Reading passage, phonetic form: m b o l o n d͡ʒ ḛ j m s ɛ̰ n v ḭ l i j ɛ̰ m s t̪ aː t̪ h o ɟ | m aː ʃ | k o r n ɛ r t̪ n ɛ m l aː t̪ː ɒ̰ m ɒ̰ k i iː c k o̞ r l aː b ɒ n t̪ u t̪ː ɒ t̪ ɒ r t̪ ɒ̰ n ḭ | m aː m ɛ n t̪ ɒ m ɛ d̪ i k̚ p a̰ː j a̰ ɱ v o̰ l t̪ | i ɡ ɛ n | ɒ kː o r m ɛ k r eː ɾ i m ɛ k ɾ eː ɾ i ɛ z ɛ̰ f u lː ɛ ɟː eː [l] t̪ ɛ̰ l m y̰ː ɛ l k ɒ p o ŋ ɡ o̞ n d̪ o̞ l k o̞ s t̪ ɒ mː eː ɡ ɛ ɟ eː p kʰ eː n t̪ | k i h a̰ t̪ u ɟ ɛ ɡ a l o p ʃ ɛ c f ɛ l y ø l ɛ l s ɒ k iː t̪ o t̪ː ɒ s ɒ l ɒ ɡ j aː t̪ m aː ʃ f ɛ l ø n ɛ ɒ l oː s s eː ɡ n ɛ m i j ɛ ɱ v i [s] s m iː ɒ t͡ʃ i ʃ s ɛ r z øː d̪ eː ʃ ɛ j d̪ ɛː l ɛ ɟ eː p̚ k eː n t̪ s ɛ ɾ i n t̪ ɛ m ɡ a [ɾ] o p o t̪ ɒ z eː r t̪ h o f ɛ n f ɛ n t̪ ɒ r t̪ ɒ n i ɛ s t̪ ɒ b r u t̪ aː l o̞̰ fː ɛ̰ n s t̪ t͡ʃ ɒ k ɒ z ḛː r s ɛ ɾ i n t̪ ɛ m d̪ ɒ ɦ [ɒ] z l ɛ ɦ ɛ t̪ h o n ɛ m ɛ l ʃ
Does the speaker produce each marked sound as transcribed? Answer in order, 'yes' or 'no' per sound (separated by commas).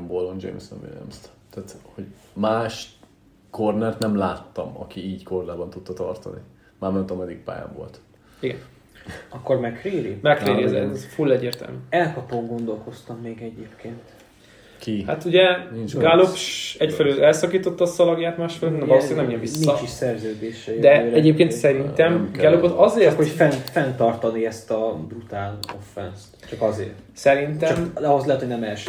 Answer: no, yes, no, no